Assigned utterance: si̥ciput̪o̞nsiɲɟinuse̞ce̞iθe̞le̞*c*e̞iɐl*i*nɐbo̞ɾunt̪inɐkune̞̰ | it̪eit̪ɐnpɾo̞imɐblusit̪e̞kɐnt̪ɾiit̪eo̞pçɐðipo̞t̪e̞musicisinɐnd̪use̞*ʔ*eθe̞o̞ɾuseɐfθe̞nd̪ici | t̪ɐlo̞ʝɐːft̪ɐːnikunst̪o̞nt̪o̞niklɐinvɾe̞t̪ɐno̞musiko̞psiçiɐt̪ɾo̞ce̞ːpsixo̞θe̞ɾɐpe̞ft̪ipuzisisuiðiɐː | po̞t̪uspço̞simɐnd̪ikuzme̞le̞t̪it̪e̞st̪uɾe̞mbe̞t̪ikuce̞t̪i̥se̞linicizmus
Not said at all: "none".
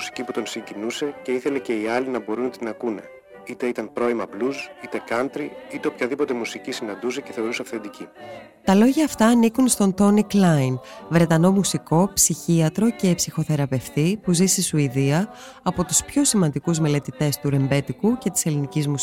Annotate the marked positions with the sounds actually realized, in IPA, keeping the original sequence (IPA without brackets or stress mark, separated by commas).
c, i, c